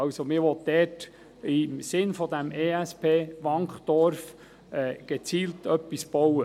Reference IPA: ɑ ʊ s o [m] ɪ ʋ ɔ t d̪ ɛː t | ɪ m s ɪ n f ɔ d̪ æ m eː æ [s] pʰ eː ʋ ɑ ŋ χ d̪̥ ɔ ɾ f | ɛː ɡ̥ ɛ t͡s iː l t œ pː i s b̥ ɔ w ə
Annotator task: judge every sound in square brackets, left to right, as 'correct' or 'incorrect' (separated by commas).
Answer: correct, correct